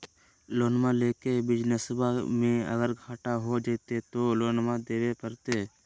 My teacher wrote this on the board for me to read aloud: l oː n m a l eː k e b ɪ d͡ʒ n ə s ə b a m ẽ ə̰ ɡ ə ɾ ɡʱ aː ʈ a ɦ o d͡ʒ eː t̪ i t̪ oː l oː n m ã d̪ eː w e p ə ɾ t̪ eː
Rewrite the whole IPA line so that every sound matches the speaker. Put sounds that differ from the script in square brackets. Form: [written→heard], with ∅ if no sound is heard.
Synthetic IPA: l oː n m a l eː k e b ɪ d͡ʒ n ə s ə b a m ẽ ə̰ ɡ ə ɾ ɡʱ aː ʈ a ɦ o d͡ʒ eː t̪ [i→e] t̪ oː l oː n m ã d̪ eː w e p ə ɾ t̪ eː